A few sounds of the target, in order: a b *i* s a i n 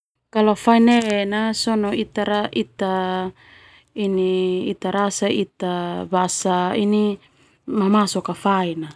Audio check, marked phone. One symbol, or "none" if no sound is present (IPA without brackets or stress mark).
a